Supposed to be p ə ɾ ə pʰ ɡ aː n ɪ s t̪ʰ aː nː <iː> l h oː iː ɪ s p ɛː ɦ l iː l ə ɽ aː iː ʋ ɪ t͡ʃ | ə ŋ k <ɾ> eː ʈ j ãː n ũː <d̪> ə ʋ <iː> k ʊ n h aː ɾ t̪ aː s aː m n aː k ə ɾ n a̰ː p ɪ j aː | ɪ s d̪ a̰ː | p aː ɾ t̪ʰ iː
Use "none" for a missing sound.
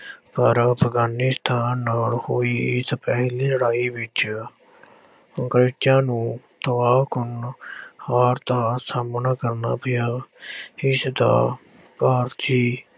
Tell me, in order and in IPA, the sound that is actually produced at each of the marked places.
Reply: aː, ɾ, t̪, aː

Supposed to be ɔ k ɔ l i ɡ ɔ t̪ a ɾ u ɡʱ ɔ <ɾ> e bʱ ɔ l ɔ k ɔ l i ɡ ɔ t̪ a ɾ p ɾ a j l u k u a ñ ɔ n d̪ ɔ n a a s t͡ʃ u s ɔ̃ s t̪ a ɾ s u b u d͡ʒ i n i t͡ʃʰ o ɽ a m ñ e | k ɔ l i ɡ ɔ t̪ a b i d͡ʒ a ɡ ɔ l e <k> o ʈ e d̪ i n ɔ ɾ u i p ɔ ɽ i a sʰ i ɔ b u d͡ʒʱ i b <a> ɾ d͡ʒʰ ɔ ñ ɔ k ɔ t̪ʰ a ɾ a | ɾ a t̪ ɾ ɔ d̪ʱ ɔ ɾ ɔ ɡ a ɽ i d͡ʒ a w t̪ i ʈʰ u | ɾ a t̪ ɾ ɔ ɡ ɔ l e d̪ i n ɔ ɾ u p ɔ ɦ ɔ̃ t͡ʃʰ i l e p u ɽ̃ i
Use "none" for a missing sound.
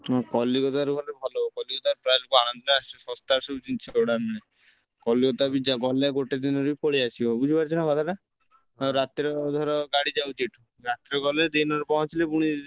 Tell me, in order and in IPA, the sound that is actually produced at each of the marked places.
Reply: l, ɡ, a

